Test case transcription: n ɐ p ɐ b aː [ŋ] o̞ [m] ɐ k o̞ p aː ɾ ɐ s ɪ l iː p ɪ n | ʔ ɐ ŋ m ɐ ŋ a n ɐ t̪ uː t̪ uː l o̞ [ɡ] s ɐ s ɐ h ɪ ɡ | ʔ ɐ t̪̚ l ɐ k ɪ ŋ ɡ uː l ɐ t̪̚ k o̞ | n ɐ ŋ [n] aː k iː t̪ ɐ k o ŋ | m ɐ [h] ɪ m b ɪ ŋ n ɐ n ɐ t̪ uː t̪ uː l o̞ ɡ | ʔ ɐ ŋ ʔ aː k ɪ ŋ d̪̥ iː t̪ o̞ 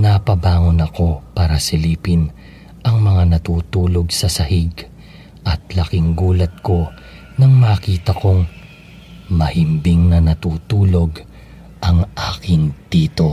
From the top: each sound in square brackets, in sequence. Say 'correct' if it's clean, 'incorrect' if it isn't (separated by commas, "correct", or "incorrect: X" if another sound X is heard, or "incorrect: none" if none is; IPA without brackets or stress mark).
correct, incorrect: n, correct, incorrect: m, correct